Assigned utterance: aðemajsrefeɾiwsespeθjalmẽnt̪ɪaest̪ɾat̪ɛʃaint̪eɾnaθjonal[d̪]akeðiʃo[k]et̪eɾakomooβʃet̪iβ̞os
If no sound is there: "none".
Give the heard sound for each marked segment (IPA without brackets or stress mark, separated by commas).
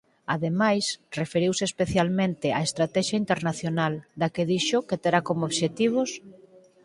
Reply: d̪, k